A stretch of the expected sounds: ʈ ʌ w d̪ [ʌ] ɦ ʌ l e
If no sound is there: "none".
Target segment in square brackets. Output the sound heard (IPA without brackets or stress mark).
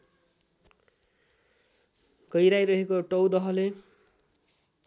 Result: ʌ